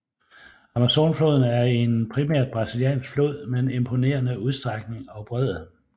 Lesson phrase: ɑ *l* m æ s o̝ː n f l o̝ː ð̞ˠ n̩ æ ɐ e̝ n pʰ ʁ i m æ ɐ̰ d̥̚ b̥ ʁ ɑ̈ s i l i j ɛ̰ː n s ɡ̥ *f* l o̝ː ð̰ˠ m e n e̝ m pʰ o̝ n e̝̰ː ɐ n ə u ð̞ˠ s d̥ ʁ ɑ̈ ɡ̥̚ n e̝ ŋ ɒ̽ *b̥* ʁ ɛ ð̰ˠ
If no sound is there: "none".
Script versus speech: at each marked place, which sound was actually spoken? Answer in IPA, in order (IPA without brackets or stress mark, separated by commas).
none, f, b̥